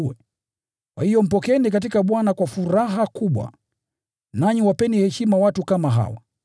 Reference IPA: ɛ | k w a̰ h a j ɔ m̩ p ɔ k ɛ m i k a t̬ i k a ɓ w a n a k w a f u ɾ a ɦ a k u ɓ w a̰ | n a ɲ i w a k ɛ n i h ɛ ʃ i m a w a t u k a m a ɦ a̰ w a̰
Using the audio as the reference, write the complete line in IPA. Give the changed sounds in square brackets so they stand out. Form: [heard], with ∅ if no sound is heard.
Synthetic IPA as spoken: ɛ | k w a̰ h [i] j ɔ m̩ p ɔ k ɛ [n] i k a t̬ i k a ɓ w a n a k w a f u ɾ a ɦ a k u ɓ w a̰ | n a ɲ i w a [p] ɛ n i h ɛ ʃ i m a w a t u k a m a ɦ a̰ w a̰